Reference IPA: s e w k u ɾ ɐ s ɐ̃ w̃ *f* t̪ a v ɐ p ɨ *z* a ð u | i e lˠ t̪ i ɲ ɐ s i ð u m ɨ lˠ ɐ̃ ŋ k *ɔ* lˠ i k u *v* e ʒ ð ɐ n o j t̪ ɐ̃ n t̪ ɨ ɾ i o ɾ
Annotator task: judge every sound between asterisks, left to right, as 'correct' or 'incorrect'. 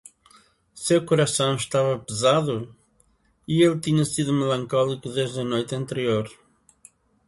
incorrect, correct, correct, incorrect

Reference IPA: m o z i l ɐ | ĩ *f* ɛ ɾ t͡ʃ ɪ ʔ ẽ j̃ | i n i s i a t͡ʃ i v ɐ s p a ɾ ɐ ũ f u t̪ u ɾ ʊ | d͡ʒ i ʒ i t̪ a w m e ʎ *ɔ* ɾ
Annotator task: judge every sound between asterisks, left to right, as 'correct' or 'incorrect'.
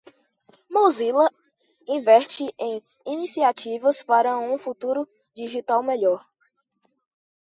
incorrect, correct

